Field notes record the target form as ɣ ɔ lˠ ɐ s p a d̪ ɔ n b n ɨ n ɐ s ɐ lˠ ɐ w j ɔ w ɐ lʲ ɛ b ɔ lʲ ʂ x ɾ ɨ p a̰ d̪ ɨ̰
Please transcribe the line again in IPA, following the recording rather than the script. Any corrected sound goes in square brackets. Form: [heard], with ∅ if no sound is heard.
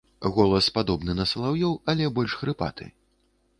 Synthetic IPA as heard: ɣ ɔ lˠ ɐ s p a d̪ ɔ [∅] b n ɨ n ɐ s ɐ lˠ [a] w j ɔ w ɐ lʲ ɛ b ɔ lʲ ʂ x ɾ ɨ p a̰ [t̪] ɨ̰

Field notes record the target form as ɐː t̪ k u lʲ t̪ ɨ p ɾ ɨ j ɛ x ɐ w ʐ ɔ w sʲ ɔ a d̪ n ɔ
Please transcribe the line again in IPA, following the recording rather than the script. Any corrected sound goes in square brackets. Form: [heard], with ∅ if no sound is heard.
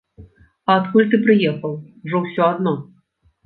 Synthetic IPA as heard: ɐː t̪ k u lʲ t̪ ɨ p ɾ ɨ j ɛ x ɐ w ʐ ɔ w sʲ ɔ a d̪ n ɔ

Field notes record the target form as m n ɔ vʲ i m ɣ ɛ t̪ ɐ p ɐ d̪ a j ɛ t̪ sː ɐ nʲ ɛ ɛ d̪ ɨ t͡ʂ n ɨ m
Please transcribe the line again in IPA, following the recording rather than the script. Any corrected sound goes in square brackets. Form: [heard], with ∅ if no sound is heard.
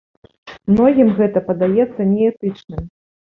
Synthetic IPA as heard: m n ɔ [ɣʲ] i m ɣ ɛ t̪ ɐ p ɐ d̪ a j ɛ t̪ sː ɐ nʲ ɛ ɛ [t̪] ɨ t͡ʂ n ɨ m

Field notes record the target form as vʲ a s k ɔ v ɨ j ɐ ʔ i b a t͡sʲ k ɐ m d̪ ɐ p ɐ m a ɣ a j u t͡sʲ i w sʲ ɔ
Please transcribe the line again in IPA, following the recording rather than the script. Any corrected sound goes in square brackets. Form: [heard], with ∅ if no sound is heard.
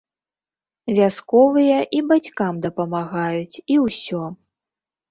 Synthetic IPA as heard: vʲ a s k ɔ v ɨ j ɐ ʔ i b a t͡sʲ k [a] m d̪ ɐ p ɐ m a ɣ a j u t͡sʲ i w sʲ ɔ

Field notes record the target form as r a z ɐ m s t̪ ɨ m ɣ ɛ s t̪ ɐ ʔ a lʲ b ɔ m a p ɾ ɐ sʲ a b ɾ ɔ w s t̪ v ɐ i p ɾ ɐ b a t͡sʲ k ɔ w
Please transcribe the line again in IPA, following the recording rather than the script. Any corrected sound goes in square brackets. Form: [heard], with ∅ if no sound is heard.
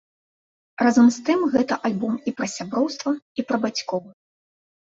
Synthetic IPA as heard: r a z ɐ m s t̪ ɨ m ɣ ɛ [∅] t̪ ɐ ʔ a lʲ b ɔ m [i] p ɾ ɐ sʲ a b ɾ ɔ w s t̪ v ɐ i p ɾ ɐ b a t͡sʲ k ɔ w

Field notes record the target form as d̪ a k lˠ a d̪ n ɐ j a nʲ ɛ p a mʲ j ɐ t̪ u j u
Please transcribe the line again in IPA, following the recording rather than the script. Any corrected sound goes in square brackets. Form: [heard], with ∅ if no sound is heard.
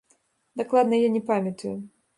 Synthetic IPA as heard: d̪ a k lˠ a d̪ n ɐ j a nʲ ɛ p a mʲ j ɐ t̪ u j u

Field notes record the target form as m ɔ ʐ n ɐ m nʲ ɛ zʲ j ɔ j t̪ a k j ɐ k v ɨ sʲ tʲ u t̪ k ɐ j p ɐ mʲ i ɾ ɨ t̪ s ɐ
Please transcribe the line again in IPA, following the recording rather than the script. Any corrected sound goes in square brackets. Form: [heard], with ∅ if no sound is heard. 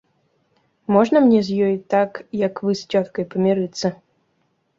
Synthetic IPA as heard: m ɔ ʐ n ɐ m nʲ ɛ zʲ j ɔ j t̪ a k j ɐ k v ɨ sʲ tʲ [ɔ] t̪ k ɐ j p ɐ mʲ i ɾ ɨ t̪ s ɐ

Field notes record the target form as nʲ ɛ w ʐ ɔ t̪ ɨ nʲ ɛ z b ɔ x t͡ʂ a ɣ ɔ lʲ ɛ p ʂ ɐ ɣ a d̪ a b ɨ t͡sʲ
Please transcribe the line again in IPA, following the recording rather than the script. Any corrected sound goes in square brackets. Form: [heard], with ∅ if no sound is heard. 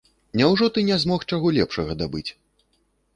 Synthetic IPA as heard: nʲ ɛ w ʐ ɔ t̪ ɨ nʲ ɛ z [m] ɔ x t͡ʂ a ɣ ɔ lʲ ɛ p ʂ ɐ ɣ [ɐ] d̪ a b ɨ t͡sʲ

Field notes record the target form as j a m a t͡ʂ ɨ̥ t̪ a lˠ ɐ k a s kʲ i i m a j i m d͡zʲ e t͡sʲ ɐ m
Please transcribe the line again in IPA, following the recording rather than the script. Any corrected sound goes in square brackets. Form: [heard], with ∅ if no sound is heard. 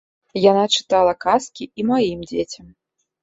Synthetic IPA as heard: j a [n] a t͡ʂ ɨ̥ t̪ a lˠ ɐ k a s kʲ i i m a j i m d͡zʲ e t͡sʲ ɐ m

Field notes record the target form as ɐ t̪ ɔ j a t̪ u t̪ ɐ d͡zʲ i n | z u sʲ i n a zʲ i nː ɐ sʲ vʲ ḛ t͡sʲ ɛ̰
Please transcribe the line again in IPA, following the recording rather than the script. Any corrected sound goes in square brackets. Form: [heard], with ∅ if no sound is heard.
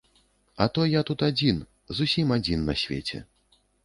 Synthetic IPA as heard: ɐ t̪ ɔ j a t̪ u t̪ [a] d͡zʲ i n | z u sʲ i [m] a [d͡zʲ] i nː ɐ sʲ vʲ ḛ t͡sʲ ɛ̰

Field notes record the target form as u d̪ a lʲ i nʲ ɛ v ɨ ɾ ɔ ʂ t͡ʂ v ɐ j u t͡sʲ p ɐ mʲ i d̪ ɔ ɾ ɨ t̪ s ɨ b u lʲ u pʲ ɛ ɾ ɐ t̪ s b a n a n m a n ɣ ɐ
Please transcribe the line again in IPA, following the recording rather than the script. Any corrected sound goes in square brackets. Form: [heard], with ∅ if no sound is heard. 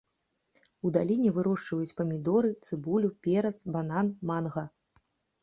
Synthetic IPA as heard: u d̪ a lʲ i nʲ ɛ v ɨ ɾ ɔ ʂ t͡ʂ v ɐ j u t͡sʲ p ɐ mʲ i d̪ ɔ ɾ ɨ t̪ s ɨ b u lʲ u pʲ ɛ ɾ ɐ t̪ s b a n a n m a n ɣ ɐ

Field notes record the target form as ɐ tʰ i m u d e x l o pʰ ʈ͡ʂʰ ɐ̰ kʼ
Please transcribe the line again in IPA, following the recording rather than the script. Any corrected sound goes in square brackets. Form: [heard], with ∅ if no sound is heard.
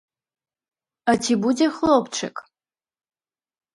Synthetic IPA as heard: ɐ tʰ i [b] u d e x l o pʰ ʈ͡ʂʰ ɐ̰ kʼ

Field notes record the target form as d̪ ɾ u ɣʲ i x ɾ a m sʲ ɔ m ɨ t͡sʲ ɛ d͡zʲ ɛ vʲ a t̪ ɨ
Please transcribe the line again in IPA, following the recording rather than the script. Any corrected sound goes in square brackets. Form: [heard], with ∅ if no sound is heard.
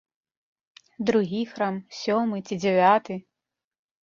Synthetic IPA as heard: d̪ ɾ u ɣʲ i x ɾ a m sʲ ɔ m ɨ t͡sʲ [i] d͡zʲ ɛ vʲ a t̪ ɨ

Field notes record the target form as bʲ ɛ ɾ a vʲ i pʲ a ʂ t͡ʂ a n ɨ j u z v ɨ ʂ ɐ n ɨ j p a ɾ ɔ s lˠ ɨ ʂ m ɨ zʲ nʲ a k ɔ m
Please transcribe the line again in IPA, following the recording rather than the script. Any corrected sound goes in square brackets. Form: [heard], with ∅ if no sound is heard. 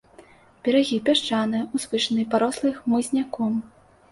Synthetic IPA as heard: bʲ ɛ ɾ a [ɣʲ] i pʲ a ʂ t͡ʂ a n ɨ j u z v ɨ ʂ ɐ n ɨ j p a ɾ ɔ s lˠ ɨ [x] m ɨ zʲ nʲ a k ɔ m

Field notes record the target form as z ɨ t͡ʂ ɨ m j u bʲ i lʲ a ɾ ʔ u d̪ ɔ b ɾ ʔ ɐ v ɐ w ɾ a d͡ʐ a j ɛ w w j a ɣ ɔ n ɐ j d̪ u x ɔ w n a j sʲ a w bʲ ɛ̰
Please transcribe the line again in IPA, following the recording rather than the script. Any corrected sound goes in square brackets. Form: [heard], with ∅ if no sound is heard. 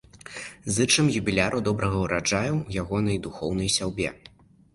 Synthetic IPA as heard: z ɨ t͡ʂ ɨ m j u bʲ i lʲ a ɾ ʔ u d̪ ɔ b ɾ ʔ ɐ [ɣ] ɐ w ɾ a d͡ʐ a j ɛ w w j a ɣ ɔ n ɐ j d̪ u x ɔ w n [ɐ] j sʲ a w bʲ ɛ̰

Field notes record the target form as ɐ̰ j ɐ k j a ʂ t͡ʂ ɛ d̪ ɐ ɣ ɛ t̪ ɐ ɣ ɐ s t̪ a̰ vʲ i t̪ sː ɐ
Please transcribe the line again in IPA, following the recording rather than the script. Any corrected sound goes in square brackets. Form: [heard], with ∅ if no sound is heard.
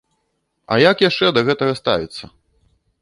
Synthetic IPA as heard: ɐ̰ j [a] k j a ʂ t͡ʂ ɛ d̪ ɐ ɣ ɛ t̪ ɐ ɣ ɐ s t̪ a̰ vʲ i t̪ sː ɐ

